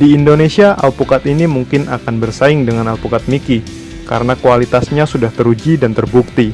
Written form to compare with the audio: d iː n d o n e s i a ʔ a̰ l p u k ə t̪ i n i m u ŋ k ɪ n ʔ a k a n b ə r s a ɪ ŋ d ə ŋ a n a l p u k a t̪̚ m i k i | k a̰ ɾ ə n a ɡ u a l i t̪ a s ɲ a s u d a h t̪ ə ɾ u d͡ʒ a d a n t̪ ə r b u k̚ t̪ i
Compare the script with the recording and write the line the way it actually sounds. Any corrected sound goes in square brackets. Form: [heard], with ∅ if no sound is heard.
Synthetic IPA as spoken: d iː n d o n e s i a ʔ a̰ l p u k [a] t̪ i n i m u ŋ k ɪ n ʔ a k a n b ə r s a ɪ ŋ d ə ŋ a n a l p u k a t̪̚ m i k i | k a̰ ɾ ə n a [k] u a l i t̪ a s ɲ a s u d a h t̪ ə ɾ u d͡ʒ [i] d a n t̪ ə r b u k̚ t̪ i